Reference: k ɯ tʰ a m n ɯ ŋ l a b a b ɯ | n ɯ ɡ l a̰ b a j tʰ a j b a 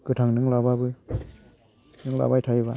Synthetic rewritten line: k ɯ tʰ a ŋ n ɯ ŋ l a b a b ɯ | n ɯ ŋ l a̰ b a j tʰ a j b a